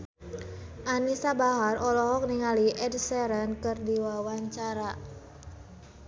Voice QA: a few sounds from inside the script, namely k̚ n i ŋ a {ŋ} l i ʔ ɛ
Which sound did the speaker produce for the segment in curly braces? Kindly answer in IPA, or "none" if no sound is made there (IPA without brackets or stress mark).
none